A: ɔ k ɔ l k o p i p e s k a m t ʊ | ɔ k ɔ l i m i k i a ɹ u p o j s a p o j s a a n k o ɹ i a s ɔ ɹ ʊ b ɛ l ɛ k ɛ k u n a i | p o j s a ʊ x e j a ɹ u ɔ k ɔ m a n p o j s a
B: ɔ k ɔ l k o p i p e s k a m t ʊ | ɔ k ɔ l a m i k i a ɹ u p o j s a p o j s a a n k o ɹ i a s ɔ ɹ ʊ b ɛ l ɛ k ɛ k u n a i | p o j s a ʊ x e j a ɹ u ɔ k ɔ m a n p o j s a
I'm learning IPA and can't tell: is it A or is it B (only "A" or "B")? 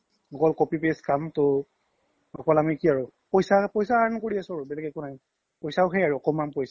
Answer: B